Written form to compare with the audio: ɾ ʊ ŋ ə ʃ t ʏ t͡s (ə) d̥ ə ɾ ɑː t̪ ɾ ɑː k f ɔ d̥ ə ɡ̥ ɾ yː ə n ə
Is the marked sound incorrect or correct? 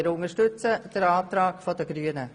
correct